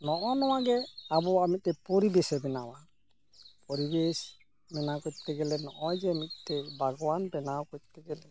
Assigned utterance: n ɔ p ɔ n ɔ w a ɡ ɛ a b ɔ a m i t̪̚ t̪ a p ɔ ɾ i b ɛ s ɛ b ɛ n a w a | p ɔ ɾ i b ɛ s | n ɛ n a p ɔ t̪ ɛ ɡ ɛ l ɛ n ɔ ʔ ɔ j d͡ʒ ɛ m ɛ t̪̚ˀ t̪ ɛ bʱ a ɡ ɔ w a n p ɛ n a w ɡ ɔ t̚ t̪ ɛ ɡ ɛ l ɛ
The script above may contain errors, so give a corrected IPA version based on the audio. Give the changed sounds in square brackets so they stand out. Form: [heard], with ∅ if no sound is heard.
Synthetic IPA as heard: n ɔ [ʔ] ɔ n ɔ w a ɡ ɛ a b ɔ a m i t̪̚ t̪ [ɛ] p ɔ ɾ i b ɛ s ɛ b ɛ n a w a | p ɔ ɾ i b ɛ s | [m] ɛ n a [k] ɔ t̪ ɛ ɡ ɛ l ɛ n ɔ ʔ ɔ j d͡ʒ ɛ m [i] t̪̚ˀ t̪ ɛ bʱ a ɡ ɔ w a n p ɛ n a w [k] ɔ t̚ t̪ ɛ ɡ ɛ l ɛ